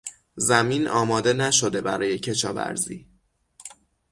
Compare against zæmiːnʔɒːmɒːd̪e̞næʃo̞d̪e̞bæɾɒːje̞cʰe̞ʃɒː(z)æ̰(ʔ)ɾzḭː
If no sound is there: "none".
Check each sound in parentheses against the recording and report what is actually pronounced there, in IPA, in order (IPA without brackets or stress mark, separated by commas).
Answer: v, none